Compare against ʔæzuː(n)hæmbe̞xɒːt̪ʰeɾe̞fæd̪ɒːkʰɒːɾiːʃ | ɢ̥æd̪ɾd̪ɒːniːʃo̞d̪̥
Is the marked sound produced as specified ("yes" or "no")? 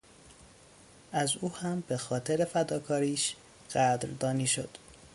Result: no